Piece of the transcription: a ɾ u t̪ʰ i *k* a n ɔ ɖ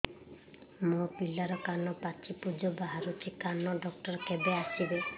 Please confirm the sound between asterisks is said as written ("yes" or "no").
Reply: yes